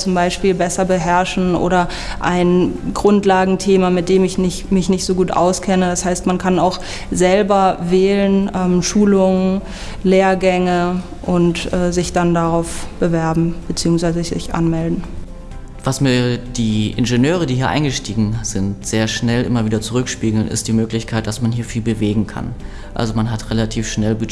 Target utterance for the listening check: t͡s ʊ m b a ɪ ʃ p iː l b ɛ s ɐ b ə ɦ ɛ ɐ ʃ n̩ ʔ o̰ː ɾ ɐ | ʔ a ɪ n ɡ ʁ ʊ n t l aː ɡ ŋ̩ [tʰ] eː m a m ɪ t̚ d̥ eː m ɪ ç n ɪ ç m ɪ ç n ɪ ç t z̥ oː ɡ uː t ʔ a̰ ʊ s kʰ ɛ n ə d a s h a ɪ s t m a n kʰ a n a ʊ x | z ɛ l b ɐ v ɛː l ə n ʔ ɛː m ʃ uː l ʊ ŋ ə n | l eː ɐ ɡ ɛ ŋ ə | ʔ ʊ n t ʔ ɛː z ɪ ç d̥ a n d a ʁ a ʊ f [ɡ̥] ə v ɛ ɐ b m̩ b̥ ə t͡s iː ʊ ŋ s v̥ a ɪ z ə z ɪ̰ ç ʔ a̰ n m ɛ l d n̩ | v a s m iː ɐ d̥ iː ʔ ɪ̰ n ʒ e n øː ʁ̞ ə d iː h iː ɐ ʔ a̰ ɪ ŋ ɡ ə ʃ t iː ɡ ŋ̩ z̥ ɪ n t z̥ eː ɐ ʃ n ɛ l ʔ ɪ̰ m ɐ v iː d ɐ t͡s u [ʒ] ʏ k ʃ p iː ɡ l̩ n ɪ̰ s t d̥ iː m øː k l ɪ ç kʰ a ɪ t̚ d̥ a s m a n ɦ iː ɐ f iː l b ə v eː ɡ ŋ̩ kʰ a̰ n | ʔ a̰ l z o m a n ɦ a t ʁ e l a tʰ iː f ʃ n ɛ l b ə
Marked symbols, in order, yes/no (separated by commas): yes, no, no